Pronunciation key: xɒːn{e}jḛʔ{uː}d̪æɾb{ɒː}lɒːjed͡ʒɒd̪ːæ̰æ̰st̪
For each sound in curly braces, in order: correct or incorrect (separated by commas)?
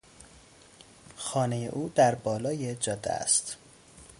correct, correct, correct